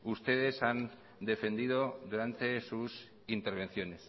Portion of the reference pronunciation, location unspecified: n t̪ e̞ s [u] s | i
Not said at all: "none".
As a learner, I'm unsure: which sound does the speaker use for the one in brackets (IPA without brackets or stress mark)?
u